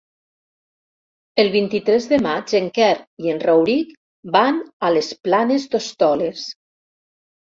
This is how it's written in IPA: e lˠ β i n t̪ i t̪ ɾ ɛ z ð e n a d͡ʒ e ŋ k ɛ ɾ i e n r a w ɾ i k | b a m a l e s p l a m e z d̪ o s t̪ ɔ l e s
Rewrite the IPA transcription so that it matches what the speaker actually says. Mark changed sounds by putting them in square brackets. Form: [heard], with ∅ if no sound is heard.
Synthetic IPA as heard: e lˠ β i n t̪ i t̪ ɾ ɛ z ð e [m] a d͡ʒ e ŋ k ɛ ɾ i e n r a w ɾ i k | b a [n] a l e s p l a [n] e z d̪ o s t̪ ɔ l e s